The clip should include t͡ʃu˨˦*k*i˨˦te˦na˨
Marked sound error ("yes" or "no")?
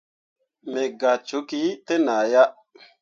no